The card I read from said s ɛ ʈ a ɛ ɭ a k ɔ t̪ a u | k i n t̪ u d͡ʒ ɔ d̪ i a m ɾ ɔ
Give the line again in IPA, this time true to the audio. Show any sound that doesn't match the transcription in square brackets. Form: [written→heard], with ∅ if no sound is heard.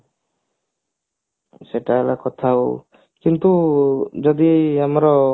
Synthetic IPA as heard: s ɛ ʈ a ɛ [ɭ→l] a k ɔ [t̪→t̪ʰ] a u | k i n t̪ u d͡ʒ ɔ d̪ i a m ɾ ɔ